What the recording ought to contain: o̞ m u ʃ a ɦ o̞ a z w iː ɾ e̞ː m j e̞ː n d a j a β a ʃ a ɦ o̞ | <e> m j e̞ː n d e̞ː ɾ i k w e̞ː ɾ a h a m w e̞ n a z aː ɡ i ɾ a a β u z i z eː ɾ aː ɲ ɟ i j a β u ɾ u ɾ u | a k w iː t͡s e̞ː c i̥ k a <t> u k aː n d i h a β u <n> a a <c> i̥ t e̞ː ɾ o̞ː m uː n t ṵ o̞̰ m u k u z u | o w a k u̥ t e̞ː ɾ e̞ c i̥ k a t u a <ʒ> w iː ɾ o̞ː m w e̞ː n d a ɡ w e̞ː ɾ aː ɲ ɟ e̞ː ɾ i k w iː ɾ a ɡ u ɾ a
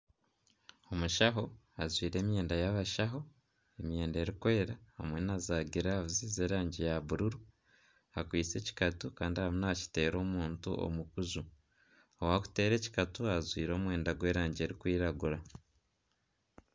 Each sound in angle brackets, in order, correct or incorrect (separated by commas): correct, correct, correct, correct, incorrect